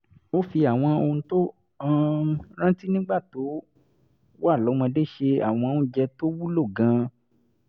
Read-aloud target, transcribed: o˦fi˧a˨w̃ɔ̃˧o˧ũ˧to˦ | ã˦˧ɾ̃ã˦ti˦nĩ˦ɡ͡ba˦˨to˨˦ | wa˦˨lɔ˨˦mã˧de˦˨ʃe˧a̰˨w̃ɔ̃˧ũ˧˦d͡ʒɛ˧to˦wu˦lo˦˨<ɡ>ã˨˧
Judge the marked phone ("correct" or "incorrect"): correct